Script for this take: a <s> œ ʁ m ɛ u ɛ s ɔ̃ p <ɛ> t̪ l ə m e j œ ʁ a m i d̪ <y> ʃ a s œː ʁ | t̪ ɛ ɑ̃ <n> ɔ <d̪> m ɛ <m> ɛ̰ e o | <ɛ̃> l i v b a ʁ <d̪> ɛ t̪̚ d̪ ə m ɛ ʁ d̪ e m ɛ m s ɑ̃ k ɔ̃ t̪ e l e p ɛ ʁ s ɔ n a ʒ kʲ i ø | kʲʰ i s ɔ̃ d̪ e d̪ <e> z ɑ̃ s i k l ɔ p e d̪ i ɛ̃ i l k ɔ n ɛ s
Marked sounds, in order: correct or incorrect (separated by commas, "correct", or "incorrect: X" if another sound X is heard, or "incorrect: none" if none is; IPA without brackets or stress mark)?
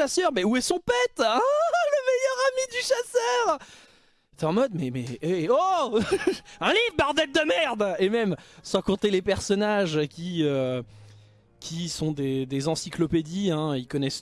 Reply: correct, correct, correct, incorrect: m, correct, correct, correct, correct, correct